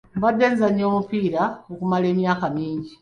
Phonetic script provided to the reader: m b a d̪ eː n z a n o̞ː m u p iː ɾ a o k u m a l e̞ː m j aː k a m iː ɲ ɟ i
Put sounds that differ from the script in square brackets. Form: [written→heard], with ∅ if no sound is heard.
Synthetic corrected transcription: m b a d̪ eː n z a [n→ɲ] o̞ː m u p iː ɾ a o k u m a l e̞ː m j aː k a m iː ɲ ɟ i